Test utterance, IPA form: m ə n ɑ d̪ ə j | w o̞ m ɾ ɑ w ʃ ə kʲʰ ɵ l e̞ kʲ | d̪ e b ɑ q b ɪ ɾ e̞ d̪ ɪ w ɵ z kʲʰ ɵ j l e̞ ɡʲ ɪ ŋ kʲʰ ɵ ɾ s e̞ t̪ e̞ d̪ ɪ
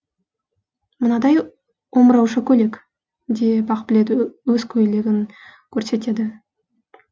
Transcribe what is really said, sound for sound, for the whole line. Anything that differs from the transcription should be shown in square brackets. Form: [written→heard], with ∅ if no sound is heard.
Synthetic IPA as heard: m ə n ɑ d̪ [ə→ɑ] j | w o̞ m ɾ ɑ w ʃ ə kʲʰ ɵ l e̞ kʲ | d̪ e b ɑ q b ɪ [ɾ→l] e̞ d̪ ɪ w ɵ z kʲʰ ɵ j l e̞ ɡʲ ɪ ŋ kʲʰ ɵ ɾ s e̞ t̪ e̞ d̪ ɪ